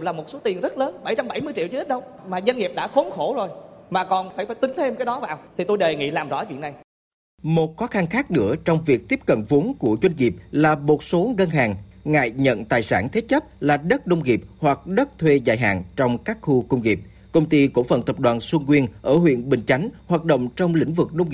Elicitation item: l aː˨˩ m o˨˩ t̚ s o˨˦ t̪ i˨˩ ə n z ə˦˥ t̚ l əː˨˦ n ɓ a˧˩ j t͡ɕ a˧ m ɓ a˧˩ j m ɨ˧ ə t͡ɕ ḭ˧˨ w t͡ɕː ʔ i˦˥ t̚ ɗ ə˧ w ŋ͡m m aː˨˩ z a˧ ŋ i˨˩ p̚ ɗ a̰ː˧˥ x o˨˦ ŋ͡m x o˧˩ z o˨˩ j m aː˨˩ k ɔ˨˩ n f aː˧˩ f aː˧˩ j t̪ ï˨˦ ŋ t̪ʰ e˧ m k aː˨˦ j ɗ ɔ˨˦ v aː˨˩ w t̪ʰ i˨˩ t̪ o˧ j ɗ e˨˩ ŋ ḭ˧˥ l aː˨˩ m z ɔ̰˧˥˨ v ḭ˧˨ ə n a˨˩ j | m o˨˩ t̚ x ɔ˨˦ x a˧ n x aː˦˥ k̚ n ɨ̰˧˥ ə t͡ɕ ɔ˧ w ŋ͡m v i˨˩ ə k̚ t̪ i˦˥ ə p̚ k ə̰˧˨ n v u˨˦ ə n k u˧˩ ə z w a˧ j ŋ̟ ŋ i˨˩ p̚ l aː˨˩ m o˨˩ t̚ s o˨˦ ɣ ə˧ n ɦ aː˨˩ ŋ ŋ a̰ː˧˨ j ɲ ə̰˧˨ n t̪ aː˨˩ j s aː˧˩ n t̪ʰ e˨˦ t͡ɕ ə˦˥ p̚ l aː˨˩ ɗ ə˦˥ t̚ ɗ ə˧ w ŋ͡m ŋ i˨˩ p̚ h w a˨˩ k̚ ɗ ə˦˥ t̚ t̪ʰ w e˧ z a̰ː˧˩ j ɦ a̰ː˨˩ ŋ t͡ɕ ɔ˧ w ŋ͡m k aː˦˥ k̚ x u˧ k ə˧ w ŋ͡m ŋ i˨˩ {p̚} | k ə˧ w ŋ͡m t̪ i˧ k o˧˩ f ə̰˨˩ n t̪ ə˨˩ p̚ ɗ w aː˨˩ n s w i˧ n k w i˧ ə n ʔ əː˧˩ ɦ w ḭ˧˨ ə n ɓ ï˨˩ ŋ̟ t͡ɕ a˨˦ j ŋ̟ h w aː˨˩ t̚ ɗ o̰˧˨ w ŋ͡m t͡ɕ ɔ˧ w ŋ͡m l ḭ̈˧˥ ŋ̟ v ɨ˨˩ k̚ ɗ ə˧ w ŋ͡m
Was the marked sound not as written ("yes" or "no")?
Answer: no